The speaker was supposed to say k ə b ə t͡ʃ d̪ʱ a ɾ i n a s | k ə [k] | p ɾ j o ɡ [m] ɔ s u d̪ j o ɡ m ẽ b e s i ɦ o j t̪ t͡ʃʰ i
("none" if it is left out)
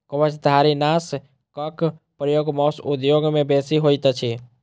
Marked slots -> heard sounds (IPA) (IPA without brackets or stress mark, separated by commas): k, m